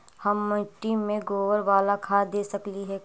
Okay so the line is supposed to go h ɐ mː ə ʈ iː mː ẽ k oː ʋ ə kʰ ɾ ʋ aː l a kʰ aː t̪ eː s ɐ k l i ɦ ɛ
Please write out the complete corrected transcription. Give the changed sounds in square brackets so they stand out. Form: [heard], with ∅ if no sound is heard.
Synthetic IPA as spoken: h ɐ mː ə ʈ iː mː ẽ [ɡ] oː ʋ ə [∅] ɾ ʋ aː l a kʰ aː [d̪] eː s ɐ k l i ɦ ɛ

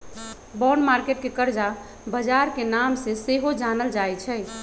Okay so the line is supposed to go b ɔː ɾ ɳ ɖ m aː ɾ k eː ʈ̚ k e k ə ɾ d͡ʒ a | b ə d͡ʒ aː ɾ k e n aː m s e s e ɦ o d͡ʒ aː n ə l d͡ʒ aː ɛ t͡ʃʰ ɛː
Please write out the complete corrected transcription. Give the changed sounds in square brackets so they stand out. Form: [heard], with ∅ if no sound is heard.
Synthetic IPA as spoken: b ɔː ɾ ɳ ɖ m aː ɾ k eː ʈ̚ k e k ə ɾ d͡ʒ a | b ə d͡ʒ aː ɾ k e n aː m s e s e ɦ o d͡ʒ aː n ə l d͡ʒ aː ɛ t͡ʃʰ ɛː

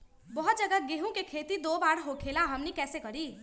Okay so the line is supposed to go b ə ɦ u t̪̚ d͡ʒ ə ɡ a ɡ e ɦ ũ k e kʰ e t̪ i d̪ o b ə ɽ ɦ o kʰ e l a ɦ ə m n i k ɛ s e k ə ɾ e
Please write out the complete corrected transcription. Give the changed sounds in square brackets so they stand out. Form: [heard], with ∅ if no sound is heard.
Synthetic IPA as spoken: b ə ɦ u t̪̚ d͡ʒ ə ɡ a ɡ e ɦ ũ k e kʰ e t̪ i d̪ o b [a] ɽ ɦ o kʰ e l a ɦ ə m n i k ɛ s e k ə ɾ [i]

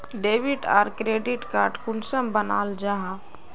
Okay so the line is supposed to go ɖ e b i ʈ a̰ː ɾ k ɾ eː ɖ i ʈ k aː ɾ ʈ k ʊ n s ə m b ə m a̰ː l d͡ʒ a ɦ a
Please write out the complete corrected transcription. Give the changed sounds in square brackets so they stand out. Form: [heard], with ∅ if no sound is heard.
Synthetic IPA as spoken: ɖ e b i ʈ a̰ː ɾ k ɾ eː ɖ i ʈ k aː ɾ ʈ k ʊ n s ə m b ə [n] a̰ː l d͡ʒ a ɦ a

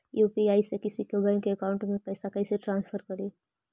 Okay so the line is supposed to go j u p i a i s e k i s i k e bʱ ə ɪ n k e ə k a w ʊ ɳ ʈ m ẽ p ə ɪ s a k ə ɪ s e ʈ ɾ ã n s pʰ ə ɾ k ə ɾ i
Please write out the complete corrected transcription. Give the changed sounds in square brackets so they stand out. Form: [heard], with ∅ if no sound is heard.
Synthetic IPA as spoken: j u p i a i s e k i s i k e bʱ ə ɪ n k e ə k a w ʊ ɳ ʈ m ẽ p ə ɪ s a k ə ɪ s e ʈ ɾ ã n s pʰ ə ɾ k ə ɾ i

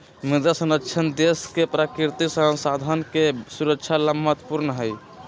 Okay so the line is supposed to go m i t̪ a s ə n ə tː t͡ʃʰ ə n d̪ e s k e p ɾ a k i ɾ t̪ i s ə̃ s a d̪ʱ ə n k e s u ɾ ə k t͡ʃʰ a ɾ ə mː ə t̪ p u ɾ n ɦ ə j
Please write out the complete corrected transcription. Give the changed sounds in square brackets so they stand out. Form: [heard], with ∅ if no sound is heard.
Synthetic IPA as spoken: m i [d̪] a s ə n ə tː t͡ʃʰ ə n d̪ e s k e p ɾ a k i ɾ t̪ i s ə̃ s a d̪ʱ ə n k e s u ɾ ə k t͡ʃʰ a [l] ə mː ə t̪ p u ɾ n ɦ ə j

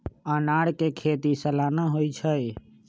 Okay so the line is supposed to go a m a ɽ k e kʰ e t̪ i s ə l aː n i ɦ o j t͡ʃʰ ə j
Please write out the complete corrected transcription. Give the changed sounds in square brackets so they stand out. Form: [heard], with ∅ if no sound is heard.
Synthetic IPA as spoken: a [n] a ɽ k e kʰ e t̪ i s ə l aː n [a] ɦ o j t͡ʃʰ ə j

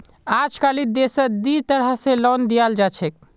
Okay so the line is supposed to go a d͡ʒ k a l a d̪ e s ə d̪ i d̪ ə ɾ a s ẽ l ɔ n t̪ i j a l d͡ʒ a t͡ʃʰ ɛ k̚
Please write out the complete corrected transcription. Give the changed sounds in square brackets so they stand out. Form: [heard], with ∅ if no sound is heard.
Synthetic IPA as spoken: a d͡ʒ k a l [i] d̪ e s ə d̪ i [t̪] ə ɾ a s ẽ l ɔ n [d̪] i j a l d͡ʒ a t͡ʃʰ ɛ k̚

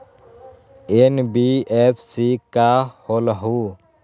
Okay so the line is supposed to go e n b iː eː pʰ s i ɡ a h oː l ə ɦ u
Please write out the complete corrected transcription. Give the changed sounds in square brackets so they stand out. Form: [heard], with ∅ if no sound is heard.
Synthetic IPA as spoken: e n b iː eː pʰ s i [k] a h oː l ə ɦ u

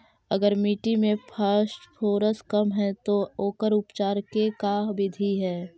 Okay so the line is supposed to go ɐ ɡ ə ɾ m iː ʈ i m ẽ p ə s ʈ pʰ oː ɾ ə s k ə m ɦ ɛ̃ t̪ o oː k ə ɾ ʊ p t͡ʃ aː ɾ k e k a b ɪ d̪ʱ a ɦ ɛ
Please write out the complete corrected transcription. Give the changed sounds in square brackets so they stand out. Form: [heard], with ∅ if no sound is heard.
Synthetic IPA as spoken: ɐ ɡ ə ɾ m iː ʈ i m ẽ [pʰ] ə s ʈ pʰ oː ɾ ə s k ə m ɦ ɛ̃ t̪ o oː k ə ɾ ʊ p t͡ʃ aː ɾ k e k a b ɪ d̪ʱ [i] ɦ [ɛː]

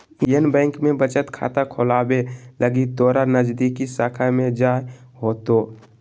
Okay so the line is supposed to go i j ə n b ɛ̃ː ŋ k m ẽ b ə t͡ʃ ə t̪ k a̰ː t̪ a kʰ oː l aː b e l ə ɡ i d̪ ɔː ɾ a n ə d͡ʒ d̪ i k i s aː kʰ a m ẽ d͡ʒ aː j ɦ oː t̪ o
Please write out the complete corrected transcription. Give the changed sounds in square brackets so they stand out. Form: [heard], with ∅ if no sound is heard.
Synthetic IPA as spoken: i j ə n b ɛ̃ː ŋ k m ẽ b ə t͡ʃ ə t̪ [kʰ] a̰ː t̪ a kʰ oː l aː b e l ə ɡ i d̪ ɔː ɾ a n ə d͡ʒ d̪ i k i s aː kʰ a m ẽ d͡ʒ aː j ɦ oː t̪ o

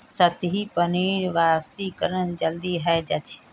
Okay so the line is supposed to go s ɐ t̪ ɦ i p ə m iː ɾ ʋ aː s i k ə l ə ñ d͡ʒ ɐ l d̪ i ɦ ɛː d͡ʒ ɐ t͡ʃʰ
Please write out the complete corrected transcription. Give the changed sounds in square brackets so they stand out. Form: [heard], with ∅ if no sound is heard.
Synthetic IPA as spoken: s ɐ t̪ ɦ i p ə [n] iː ɾ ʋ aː s i k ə [ɾ] ə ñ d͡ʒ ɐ l d̪ i ɦ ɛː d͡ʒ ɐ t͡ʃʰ

